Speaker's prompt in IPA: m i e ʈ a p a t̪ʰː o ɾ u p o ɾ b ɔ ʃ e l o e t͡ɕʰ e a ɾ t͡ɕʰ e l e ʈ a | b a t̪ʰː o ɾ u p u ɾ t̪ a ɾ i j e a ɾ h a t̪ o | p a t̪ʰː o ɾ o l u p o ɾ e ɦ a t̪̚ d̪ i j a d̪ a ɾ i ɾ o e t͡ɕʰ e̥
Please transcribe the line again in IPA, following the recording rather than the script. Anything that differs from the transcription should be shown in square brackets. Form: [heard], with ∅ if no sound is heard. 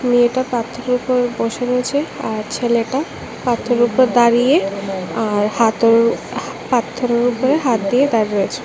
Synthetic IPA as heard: m i e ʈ a p a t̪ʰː o ɾ u p o ɾ b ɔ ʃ e [ɾ] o e t͡ɕʰ e a ɾ t͡ɕʰ e l e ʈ a | [p] a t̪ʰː o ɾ u p [o] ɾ [d̪] a ɾ i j e a ɾ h a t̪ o | p a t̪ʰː o ɾ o [ɾ] u p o ɾ e ɦ a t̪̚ d̪ i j [e] d̪ a ɾ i ɾ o e t͡ɕʰ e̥

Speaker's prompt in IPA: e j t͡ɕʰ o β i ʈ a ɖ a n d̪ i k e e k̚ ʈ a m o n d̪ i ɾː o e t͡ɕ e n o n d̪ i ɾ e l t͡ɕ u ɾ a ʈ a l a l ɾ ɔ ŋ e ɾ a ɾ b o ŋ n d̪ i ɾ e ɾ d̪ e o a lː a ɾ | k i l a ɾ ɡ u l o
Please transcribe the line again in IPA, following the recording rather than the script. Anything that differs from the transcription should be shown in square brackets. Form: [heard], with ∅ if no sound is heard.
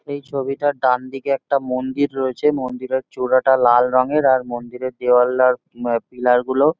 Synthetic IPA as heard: e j t͡ɕʰ o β i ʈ a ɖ a n d̪ i k e [ɛ] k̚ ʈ a m o n d̪ i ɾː o e [t͡ɕʰ] e [m] o n d̪ i ɾ e [ɾ] t͡ɕ u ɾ a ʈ a l a l ɾ ɔ ŋ e ɾ a ɾ [m] o [∅] n d̪ i ɾ e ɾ d̪ e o a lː a ɾ | [p] i l a ɾ ɡ u l o

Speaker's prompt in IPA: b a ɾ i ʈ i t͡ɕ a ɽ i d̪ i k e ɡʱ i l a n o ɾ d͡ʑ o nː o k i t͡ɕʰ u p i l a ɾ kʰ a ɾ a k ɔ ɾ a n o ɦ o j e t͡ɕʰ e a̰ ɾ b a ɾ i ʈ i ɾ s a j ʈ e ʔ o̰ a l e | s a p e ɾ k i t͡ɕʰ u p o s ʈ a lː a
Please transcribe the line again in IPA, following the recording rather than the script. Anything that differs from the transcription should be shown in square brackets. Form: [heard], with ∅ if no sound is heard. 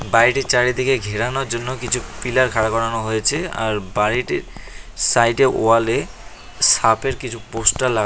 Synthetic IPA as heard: b a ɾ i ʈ i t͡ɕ a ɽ i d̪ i k e ɡʱ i [ɾ] a n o ɾ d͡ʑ o nː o k i t͡ɕʰ u p i l a ɾ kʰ a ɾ a k ɔ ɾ a n o ɦ o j e t͡ɕʰ e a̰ ɾ b a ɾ i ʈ i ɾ s a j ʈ e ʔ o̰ a l e | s a p e ɾ k i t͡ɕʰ u p o s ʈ a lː a

